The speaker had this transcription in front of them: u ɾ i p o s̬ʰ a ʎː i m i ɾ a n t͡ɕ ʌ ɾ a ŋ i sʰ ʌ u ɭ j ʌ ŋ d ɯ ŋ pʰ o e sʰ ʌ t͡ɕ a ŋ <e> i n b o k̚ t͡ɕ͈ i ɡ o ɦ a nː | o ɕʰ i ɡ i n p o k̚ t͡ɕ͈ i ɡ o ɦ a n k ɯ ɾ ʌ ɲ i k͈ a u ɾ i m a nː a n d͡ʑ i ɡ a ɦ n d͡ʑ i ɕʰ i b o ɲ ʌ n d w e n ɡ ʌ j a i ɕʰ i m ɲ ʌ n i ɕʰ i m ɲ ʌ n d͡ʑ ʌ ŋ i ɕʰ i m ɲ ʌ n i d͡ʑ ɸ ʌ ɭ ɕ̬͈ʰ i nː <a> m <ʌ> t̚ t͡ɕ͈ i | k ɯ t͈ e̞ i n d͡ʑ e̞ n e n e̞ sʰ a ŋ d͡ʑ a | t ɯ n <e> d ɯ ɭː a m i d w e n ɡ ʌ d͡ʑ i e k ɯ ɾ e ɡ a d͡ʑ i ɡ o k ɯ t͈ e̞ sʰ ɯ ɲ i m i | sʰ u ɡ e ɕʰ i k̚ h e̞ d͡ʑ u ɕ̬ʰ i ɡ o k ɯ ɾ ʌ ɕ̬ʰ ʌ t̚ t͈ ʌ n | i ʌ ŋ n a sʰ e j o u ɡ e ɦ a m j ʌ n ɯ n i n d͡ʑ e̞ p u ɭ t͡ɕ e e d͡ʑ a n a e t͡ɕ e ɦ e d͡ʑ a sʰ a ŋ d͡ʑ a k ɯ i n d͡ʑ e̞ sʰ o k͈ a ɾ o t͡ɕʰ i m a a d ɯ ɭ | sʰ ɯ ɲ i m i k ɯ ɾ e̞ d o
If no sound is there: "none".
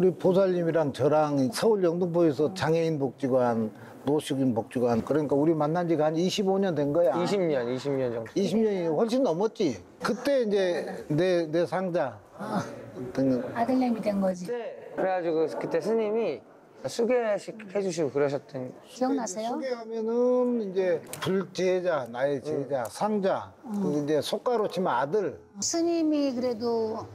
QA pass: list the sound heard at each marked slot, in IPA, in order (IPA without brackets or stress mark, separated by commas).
e, ʌ, ʌ, a